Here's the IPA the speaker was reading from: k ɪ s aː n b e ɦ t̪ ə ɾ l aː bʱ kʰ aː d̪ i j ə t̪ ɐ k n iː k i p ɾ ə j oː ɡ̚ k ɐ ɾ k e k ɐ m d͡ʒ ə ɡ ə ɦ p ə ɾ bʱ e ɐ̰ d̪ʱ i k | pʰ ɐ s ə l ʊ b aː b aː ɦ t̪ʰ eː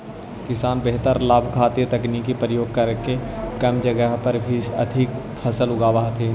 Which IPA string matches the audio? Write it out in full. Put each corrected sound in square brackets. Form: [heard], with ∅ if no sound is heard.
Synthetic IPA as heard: k ɪ s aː n b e ɦ t̪ ə ɾ l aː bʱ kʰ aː [t̪] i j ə t̪ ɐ k n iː k i p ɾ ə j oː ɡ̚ k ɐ ɾ k e k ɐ m d͡ʒ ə ɡ ə ɦ p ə ɾ bʱ [i] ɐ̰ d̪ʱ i k | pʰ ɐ s ə l ʊ [ɡ] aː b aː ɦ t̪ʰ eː